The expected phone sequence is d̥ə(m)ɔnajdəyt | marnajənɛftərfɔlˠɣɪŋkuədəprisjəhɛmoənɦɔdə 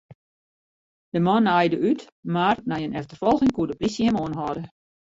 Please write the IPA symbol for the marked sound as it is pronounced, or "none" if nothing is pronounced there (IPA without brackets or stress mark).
m